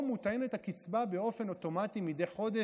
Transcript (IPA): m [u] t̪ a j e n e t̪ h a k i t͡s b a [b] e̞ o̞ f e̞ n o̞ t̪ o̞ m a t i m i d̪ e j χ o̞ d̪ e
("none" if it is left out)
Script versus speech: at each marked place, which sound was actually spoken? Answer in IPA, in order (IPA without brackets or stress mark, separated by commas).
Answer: u, b